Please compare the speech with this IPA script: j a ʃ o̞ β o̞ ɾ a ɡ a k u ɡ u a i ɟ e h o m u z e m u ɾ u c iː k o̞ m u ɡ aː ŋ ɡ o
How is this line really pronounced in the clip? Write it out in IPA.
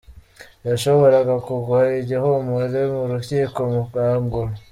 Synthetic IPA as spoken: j a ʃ o̞ β o̞ ɾ a ɡ a k u ɡ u a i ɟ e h o m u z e m u ɾ u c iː k o̞ m u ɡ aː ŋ ɡ o